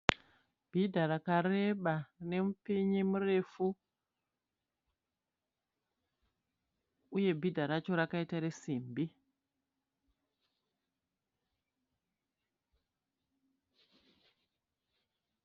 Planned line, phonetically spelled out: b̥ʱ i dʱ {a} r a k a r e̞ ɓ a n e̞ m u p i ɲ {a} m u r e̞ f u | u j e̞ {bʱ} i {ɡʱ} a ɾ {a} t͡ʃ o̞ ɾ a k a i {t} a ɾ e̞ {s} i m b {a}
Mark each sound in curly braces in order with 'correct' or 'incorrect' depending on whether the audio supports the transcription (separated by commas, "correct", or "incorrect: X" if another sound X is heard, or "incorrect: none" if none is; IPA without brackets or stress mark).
correct, incorrect: i, correct, incorrect: dʱ, correct, correct, correct, incorrect: i